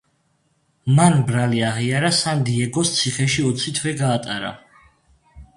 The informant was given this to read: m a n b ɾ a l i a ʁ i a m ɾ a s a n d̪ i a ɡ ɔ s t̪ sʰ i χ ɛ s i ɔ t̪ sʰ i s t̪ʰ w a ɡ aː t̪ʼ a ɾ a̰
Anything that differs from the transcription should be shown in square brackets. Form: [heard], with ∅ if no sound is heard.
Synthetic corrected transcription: m a n b ɾ a l i a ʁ i a [∅] ɾ a s a n d̪ i [ɛ] ɡ ɔ s t̪ sʰ i χ ɛ [ʃ] i ɔ t̪ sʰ i [∅] t̪ʰ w [ɛ] ɡ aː t̪ʼ a ɾ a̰